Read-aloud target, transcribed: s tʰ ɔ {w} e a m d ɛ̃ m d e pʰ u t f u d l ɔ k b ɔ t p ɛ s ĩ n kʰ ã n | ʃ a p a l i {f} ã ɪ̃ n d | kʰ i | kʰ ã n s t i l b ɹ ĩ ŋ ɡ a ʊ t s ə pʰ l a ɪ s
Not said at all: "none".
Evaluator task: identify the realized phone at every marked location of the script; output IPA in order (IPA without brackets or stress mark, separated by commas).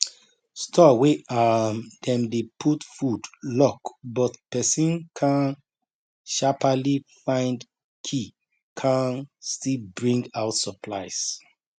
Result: w, f